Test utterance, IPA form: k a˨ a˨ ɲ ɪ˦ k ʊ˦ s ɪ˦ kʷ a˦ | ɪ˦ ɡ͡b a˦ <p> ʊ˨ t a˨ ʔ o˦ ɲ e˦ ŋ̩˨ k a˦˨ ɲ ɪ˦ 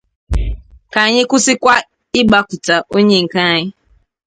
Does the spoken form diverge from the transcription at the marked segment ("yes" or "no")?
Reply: yes